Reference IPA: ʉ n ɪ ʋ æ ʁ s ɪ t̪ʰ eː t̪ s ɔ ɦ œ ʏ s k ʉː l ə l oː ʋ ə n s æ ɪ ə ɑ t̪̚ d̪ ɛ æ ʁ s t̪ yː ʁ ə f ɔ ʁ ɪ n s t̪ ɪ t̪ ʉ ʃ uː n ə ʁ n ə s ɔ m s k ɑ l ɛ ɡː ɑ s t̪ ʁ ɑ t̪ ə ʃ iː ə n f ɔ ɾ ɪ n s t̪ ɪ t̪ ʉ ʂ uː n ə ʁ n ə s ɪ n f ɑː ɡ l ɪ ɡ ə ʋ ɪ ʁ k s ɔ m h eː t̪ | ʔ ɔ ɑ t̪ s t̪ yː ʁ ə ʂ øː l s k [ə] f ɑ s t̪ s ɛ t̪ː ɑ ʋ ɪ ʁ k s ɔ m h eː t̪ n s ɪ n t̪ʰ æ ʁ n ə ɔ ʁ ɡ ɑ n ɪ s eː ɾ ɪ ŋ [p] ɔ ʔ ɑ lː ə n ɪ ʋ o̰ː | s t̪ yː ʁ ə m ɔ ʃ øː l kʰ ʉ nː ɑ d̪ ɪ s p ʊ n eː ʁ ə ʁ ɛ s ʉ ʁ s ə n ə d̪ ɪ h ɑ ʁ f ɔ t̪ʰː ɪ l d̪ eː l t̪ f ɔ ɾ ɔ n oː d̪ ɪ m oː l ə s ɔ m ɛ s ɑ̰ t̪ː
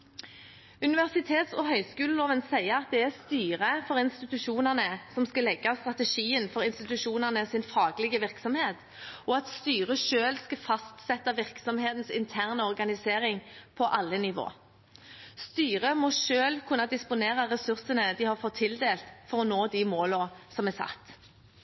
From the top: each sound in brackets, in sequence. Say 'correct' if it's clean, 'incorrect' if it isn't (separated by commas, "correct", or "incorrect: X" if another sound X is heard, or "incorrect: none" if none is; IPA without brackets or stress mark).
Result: incorrect: ɑ, incorrect: pʰ